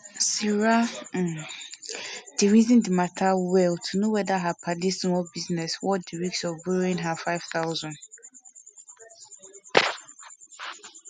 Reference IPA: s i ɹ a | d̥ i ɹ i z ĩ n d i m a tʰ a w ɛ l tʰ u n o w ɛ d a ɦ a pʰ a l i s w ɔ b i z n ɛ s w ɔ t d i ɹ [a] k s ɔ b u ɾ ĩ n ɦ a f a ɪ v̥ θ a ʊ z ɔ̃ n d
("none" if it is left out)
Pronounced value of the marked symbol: i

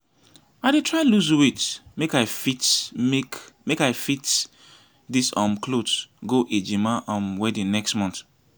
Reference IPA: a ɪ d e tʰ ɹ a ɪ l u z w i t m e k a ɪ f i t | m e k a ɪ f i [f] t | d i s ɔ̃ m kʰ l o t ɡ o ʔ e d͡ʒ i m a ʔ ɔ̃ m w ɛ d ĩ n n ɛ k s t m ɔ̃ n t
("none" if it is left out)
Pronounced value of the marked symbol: none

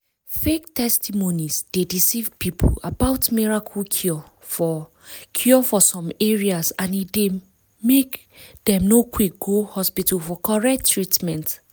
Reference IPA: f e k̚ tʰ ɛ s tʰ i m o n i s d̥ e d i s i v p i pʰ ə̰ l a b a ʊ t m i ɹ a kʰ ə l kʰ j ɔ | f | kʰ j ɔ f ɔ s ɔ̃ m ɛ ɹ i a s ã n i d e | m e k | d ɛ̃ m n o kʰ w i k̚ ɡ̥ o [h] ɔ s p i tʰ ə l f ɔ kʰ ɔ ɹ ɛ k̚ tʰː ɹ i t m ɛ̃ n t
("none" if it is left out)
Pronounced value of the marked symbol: h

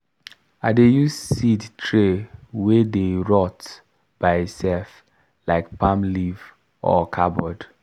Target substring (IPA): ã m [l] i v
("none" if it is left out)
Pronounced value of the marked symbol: l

